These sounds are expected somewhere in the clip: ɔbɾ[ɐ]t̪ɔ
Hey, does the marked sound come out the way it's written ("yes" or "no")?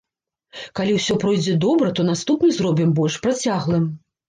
yes